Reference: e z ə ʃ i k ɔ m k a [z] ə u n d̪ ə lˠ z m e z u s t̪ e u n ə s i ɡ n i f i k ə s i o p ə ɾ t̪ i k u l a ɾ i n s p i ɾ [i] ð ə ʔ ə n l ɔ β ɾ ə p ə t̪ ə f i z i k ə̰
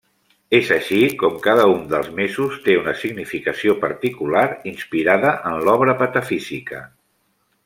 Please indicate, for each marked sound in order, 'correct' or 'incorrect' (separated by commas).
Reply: incorrect, incorrect